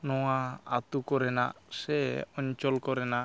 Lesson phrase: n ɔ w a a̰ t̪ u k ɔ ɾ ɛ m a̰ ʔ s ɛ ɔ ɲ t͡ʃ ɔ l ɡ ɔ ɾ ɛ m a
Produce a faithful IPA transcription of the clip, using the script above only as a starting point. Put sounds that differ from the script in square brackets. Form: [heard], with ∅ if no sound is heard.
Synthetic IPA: n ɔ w a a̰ t̪ u k ɔ ɾ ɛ [n] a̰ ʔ s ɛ ɔ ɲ t͡ʃ ɔ l [k] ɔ ɾ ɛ [n] a